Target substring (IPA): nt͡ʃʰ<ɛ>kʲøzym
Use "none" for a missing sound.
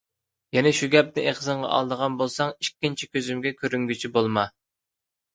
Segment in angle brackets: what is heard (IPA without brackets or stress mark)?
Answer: i